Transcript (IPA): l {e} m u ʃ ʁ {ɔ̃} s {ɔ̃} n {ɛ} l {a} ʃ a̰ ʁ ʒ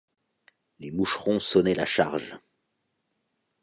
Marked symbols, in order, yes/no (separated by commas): yes, yes, no, yes, yes